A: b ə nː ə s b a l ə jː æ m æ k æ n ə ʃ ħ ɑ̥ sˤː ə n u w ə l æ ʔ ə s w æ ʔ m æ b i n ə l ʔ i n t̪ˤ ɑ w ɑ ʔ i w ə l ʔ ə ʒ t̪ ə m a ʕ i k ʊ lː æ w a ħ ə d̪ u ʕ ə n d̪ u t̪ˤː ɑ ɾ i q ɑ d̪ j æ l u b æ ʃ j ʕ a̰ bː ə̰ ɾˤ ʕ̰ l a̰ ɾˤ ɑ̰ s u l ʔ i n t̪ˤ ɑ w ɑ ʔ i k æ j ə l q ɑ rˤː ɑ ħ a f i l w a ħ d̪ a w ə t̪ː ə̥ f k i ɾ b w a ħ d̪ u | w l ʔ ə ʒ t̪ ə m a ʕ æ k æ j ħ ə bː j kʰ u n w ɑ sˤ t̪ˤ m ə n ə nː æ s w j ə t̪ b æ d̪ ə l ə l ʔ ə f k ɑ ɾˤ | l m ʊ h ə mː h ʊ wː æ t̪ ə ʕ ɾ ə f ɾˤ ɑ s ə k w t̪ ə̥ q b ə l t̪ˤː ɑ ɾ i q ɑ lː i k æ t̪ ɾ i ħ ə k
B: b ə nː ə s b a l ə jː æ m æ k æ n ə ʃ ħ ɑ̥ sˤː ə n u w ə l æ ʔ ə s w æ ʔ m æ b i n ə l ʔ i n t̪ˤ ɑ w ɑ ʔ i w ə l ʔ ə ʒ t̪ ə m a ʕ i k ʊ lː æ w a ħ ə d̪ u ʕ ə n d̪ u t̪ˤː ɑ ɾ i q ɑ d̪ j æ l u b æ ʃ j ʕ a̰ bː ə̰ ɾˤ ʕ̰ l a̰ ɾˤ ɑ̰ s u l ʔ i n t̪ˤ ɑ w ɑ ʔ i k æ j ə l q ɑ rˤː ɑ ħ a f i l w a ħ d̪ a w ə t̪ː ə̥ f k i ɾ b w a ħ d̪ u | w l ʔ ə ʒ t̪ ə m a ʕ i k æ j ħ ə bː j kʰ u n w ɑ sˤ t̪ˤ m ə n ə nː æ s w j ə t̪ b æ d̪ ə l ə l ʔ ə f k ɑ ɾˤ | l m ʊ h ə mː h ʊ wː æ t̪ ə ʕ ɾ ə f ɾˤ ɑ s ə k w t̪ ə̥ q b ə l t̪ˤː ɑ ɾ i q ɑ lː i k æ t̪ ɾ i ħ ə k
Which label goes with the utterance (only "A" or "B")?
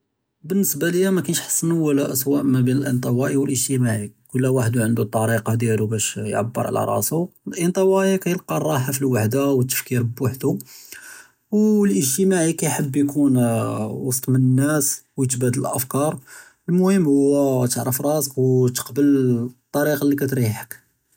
B